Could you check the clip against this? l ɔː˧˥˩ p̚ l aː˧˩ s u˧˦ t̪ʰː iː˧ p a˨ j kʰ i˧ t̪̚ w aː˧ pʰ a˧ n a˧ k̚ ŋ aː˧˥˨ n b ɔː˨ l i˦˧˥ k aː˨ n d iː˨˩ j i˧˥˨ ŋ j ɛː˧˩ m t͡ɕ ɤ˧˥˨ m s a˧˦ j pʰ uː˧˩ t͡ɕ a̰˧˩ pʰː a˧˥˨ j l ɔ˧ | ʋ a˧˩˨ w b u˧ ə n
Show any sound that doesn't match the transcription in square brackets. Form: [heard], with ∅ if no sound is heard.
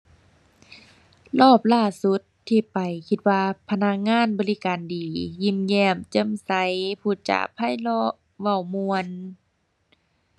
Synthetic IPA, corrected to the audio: l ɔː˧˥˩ p̚ l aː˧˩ s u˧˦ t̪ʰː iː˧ p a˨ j kʰ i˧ t̪̚ w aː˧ pʰ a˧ n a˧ k̚ ŋ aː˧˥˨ n b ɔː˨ l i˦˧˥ k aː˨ n d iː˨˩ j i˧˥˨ [m] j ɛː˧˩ m t͡ɕ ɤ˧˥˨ m s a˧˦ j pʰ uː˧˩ t͡ɕ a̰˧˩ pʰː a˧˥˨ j l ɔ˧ | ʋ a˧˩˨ w [m] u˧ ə n